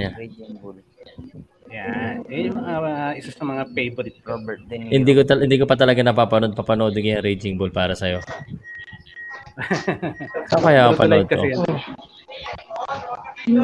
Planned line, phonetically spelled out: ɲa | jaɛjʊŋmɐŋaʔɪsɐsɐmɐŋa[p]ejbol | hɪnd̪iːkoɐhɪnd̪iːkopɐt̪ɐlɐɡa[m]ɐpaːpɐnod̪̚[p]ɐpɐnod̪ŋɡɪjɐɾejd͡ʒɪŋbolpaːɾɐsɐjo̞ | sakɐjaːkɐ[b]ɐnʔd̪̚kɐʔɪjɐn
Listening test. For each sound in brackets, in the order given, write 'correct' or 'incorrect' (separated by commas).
correct, incorrect, correct, incorrect